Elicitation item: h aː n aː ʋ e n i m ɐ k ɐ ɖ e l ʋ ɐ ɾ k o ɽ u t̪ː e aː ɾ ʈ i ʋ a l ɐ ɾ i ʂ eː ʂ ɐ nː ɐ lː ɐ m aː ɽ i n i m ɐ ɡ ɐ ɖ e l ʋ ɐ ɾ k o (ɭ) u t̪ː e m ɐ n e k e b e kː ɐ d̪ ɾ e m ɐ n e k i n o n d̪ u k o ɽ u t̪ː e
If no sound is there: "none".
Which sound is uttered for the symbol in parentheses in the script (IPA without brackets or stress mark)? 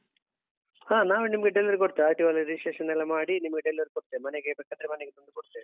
ɽ